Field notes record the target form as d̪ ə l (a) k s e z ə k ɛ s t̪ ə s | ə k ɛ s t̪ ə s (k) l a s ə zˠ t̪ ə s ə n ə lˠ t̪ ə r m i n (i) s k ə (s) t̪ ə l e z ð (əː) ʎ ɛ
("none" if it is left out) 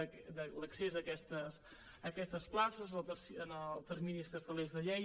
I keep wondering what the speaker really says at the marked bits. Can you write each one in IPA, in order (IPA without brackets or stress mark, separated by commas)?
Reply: ə, p, i, s, ə